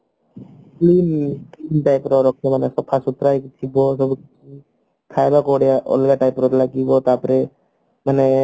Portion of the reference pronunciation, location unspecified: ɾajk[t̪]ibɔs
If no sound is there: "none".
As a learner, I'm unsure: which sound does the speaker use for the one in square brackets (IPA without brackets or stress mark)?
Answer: t̪ʰ